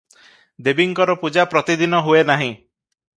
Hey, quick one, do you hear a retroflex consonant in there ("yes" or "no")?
no